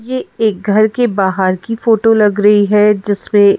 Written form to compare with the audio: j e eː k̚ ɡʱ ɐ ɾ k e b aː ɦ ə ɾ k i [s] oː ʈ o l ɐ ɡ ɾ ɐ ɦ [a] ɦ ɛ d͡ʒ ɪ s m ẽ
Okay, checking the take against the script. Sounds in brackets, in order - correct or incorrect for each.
incorrect: f, incorrect: i

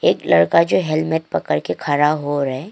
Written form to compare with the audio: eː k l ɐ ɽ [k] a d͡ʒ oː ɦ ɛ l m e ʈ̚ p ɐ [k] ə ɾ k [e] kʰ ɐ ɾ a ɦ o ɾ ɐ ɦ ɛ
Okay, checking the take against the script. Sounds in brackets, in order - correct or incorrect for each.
correct, correct, correct

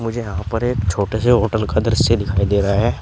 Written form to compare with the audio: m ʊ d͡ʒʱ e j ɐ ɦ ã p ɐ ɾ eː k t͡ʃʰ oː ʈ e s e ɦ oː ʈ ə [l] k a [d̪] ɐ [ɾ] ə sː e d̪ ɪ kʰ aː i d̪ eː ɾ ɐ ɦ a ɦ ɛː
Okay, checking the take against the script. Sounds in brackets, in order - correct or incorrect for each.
correct, correct, correct

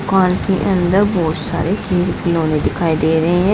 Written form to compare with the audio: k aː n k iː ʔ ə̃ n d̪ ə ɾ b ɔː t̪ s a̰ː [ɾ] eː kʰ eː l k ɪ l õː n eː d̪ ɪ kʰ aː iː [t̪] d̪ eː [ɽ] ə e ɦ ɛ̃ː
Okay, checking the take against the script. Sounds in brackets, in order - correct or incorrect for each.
correct, incorrect: none, incorrect: ɾ

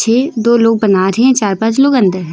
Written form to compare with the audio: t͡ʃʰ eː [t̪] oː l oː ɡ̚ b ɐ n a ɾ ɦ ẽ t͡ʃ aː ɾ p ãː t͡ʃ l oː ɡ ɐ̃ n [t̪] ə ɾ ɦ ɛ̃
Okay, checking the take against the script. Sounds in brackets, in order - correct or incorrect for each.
incorrect: d̪, incorrect: d̪

